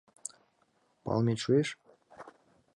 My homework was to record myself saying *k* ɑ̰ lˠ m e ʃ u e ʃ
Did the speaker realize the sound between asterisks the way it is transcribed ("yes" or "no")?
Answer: no